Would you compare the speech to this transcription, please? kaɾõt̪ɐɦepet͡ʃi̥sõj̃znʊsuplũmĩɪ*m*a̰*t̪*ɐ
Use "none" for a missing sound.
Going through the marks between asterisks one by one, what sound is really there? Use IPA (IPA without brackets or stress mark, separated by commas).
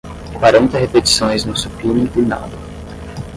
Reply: n, d̪